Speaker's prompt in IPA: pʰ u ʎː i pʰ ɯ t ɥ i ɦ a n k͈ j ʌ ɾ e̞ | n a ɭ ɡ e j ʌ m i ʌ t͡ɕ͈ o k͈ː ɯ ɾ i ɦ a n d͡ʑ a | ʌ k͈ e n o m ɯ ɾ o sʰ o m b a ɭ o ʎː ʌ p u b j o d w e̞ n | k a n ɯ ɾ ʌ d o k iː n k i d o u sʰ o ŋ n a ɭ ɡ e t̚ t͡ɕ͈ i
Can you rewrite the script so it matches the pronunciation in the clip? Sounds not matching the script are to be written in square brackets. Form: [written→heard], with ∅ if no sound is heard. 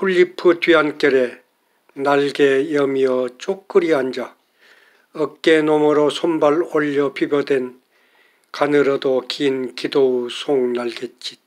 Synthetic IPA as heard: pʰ u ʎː i pʰ ɯ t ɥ i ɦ a n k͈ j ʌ ɾ e̞ | n a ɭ ɡ e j ʌ m i ʌ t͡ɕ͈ o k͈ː ɯ ɾ i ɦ a n d͡ʑ a | ʌ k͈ e n o m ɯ ɾ o sʰ o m b a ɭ o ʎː ʌ p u b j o d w e̞ n | k a n ɯ ɾ ʌ d o k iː n k i d o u sʰ o ŋ n a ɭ ɡ e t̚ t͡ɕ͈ i